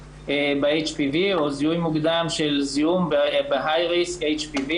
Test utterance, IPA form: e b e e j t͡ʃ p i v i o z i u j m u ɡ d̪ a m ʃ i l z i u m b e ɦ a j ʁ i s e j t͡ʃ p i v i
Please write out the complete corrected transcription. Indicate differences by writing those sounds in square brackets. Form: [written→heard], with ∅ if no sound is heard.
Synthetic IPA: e b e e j t͡ʃ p i v i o z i u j m u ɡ d̪ a m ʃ [i→e] l z i u m b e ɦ a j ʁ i s e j t͡ʃ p i v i